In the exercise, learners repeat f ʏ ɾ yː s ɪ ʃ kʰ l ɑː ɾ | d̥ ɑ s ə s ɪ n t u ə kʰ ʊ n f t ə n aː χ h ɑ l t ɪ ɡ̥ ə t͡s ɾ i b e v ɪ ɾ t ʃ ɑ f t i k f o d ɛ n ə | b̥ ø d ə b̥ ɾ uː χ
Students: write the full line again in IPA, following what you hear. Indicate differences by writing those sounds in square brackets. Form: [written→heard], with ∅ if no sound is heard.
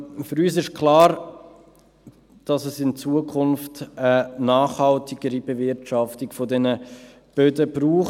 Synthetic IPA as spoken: f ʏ ɾ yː s ɪ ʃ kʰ l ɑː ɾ | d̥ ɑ s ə s ɪ n [t→t͡s] u ə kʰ ʊ n f t ə n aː χ h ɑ l t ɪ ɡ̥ ə [t͡s→∅] ɾ i b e v ɪ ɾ t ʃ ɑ f t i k f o d ɛ n ə | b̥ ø d ə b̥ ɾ uː χ